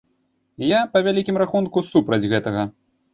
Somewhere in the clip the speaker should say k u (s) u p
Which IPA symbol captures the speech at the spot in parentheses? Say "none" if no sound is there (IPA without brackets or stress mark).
s